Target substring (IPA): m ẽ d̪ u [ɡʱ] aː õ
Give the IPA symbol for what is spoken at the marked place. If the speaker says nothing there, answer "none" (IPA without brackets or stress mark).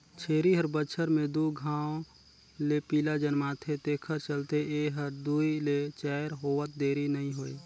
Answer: ɡʱ